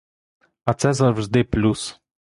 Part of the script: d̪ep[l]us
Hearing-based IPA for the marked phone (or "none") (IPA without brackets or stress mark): l